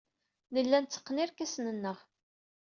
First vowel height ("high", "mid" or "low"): mid